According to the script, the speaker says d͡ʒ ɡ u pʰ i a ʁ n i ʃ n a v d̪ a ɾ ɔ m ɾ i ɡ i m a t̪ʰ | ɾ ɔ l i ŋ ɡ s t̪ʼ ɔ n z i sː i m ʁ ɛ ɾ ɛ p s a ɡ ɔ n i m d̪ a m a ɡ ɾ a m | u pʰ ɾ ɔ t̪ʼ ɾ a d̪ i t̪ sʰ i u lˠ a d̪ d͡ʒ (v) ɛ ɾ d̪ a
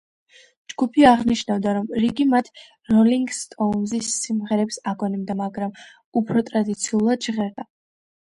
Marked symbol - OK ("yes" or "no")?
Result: no